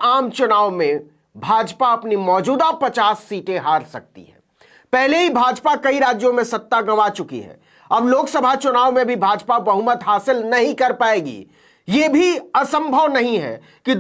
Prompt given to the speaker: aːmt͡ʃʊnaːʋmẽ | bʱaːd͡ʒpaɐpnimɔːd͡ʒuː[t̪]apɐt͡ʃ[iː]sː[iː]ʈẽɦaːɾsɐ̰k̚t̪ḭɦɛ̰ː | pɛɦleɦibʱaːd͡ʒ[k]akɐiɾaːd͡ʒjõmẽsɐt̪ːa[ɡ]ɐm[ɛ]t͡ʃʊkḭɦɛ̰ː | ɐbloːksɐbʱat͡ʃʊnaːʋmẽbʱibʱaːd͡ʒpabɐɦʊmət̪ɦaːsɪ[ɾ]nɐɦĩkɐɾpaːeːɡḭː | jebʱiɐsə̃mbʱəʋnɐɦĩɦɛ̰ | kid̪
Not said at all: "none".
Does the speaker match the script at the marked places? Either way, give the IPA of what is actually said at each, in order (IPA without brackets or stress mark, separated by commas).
d̪, aː, iː, p, ɡ, a, l